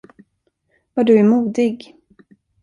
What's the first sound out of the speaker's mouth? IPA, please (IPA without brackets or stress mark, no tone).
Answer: v